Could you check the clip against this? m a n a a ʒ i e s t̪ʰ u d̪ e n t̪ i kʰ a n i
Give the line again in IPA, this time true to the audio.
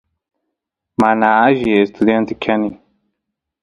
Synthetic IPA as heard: m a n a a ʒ i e s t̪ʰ u d̪ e n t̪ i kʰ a n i